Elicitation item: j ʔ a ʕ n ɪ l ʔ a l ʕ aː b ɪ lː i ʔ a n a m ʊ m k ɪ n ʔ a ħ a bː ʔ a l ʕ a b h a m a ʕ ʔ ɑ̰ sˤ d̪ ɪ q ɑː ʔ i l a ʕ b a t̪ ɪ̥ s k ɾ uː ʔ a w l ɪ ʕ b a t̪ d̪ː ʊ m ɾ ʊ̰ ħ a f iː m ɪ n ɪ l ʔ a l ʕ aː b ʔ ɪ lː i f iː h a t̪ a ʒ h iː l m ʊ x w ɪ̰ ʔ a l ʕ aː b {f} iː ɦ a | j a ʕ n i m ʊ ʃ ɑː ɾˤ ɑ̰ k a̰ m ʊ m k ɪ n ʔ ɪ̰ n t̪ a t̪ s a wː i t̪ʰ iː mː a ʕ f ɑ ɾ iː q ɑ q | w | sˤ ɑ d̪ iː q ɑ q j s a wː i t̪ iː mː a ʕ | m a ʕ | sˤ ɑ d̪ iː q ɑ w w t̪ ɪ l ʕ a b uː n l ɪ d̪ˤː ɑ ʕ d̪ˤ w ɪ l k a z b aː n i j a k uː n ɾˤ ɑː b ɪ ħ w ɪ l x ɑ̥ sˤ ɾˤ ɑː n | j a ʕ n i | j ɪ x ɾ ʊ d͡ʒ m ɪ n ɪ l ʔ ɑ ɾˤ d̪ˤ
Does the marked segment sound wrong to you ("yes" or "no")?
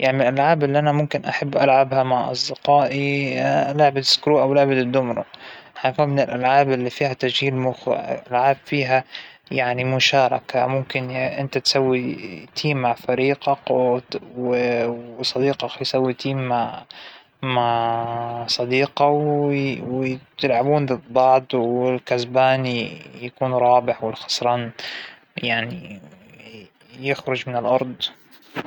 no